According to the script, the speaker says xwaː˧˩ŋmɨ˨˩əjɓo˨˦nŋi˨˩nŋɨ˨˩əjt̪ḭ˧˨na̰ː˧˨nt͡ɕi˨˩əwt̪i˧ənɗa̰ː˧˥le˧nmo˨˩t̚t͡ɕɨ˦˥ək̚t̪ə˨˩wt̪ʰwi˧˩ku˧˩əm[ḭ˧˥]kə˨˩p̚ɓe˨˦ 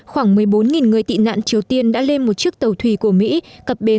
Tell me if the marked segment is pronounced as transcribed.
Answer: yes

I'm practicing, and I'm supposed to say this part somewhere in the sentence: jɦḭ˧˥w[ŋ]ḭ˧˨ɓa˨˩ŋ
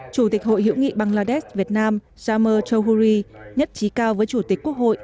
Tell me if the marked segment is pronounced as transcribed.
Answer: yes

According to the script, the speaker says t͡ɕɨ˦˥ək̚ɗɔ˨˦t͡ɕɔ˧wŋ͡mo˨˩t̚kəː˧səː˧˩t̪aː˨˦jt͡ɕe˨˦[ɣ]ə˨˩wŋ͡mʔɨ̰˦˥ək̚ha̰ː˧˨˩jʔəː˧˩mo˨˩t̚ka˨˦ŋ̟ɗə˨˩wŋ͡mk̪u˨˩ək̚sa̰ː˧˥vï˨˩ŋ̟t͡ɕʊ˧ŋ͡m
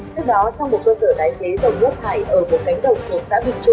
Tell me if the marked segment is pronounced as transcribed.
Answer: no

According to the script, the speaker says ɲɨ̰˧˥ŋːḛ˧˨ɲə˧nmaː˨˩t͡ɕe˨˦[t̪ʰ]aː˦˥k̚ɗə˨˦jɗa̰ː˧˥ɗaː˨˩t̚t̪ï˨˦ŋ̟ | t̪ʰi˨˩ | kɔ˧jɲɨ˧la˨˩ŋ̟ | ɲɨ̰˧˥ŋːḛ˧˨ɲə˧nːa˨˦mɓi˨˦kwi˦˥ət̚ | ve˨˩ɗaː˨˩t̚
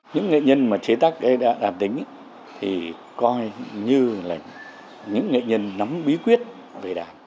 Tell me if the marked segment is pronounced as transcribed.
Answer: no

